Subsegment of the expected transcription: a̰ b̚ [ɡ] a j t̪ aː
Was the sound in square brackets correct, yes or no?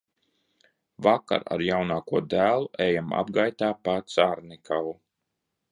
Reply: yes